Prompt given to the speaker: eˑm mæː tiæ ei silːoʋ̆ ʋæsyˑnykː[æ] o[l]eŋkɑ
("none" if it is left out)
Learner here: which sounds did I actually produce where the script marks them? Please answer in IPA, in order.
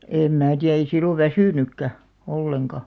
æ, lː

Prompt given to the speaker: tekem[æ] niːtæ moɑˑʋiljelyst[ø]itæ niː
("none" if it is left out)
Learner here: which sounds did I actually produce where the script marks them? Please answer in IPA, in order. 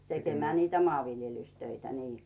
æː, ø

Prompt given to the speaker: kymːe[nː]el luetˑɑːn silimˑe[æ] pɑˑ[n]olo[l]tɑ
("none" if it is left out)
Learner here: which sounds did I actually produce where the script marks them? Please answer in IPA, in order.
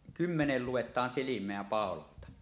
n, æ, none, l

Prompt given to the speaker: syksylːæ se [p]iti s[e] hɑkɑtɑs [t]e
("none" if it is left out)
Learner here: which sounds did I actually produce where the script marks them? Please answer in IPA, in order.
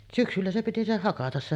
p, e, s

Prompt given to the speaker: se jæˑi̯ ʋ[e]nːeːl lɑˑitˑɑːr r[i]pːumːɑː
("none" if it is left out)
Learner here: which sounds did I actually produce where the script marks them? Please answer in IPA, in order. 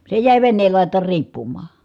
e, iː

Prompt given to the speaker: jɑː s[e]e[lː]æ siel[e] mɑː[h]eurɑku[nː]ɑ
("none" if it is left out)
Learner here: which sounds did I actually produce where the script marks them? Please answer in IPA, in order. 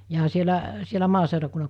i, l, æ, s, nː

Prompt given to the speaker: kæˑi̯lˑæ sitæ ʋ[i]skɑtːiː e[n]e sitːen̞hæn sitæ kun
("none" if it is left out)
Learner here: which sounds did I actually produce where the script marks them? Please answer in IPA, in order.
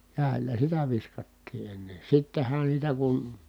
i, nː

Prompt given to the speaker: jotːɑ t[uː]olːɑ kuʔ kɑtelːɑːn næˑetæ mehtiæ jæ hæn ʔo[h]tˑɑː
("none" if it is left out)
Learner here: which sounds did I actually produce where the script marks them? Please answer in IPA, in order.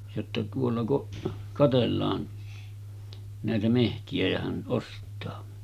u, s

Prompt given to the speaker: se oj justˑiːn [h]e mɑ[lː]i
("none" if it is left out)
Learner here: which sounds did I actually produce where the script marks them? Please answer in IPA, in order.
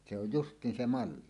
s, lː

